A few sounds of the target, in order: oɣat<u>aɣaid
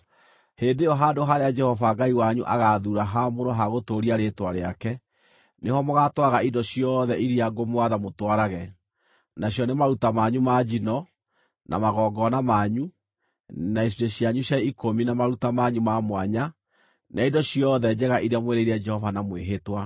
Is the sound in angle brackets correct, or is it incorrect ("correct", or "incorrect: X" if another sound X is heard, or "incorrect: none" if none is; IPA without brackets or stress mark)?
incorrect: w